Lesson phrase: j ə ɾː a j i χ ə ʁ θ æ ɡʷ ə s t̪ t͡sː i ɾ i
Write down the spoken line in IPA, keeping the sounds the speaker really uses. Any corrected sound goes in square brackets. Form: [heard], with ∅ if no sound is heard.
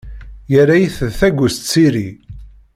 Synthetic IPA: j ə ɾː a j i [θ] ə [ð] θ æ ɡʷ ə s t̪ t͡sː i ɾ i